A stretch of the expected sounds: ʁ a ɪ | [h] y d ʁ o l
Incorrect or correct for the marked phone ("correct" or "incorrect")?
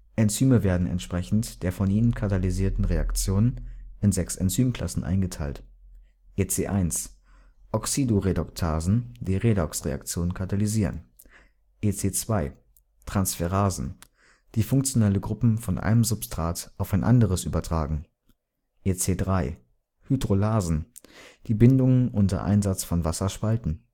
correct